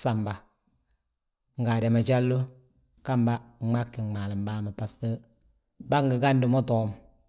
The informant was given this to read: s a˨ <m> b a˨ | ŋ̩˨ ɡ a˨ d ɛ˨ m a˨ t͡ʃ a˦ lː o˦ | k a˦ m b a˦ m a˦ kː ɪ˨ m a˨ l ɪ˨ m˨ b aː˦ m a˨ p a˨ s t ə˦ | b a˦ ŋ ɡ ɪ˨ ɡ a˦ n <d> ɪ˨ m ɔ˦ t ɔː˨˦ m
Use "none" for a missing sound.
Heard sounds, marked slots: m, d

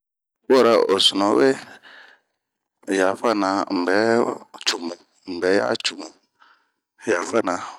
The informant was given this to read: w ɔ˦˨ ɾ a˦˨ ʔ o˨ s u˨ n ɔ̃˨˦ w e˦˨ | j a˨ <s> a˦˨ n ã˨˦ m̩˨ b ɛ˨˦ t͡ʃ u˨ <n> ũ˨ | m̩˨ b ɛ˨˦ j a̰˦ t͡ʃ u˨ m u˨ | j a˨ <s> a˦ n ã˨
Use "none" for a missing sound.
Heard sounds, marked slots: f, m, f

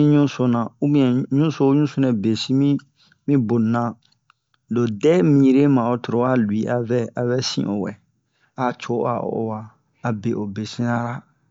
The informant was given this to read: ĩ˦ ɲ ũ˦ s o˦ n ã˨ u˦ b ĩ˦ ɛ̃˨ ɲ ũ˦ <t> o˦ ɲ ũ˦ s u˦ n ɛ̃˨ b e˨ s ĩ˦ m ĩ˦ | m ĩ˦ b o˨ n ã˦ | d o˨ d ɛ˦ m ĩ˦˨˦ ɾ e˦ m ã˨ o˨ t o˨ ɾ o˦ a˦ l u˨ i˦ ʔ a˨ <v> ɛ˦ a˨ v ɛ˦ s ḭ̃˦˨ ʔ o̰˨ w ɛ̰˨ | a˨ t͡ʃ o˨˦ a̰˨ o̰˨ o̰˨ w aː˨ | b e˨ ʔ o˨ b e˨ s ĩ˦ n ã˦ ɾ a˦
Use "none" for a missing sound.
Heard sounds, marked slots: s, v

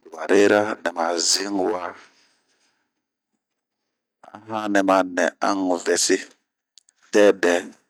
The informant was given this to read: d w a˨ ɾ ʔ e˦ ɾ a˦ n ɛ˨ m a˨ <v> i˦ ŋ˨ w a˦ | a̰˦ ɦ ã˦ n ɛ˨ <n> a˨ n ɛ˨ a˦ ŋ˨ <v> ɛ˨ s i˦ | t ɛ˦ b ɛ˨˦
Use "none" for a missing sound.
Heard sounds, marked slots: z, m, v

